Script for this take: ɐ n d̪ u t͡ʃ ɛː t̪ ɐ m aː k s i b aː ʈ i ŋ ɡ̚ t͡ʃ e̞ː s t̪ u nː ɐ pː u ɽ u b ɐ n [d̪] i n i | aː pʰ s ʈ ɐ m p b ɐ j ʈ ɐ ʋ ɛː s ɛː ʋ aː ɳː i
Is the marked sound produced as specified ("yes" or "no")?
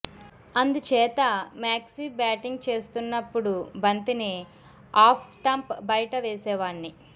no